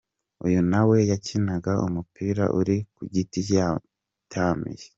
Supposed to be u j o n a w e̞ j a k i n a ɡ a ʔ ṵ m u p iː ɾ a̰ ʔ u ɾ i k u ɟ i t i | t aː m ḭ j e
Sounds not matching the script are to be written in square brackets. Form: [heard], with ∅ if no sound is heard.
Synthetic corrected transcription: u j [u] n a w e̞ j a [c] i n a ɡ a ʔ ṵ m u p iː ɾ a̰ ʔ u ɾ i k u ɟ i t i | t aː m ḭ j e